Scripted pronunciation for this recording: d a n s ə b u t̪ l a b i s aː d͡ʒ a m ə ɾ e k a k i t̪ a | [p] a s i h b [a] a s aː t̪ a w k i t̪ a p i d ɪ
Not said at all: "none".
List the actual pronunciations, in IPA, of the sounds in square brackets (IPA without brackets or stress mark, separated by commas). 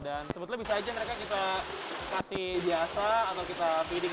k, i